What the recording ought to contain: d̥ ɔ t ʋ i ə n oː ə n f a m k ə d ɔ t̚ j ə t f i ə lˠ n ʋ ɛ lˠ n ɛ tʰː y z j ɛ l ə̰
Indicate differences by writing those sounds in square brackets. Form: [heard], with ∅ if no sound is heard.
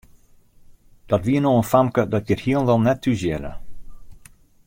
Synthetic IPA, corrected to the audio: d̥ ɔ t ʋ i ə n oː ə n f a m k ə d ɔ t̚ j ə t [h] i ə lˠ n ʋ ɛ lˠ n ɛ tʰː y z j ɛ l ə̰